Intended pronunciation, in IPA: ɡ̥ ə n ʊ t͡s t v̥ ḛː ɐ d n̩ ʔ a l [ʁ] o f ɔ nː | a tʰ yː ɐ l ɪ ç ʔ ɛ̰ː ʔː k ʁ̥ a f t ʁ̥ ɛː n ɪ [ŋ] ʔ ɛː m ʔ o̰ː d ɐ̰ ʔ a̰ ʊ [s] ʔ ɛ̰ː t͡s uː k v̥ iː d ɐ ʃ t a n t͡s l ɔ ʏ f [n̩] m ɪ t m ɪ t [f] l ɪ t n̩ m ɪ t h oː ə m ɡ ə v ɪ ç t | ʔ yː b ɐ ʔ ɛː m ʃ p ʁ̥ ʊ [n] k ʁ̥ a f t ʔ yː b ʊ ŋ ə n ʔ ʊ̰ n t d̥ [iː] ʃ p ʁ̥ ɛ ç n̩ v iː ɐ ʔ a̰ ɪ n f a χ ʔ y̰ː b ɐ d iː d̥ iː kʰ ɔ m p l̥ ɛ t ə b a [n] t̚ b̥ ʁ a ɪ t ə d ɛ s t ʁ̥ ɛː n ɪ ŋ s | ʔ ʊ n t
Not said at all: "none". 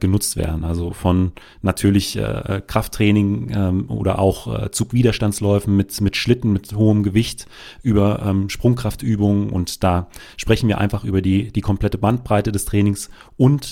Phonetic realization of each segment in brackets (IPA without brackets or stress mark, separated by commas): z, ŋ, x, n̩, ʃ, ŋ, aː, n